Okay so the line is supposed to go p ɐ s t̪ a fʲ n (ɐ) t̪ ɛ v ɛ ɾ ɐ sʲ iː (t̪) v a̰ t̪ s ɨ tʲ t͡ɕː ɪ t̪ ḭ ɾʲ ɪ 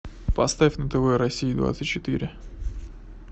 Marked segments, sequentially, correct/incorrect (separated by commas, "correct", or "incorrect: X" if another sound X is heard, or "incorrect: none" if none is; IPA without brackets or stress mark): incorrect: ə, incorrect: d̪